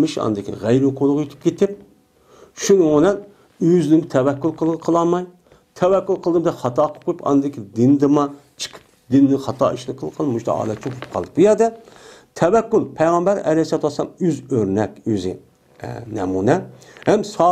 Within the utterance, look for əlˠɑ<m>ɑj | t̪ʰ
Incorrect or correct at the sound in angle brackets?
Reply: correct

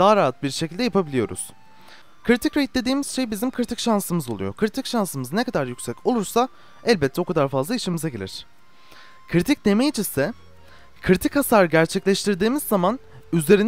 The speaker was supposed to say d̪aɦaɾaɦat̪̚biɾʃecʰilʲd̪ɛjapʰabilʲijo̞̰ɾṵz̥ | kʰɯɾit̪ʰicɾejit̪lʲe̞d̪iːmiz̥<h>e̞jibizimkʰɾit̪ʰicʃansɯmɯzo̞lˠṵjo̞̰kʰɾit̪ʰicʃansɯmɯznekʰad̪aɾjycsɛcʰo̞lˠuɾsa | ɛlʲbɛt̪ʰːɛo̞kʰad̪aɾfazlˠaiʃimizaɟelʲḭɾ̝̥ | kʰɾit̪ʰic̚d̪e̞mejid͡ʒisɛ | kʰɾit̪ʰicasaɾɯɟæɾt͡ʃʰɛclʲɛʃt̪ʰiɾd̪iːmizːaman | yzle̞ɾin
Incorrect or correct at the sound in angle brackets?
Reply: incorrect: ʃ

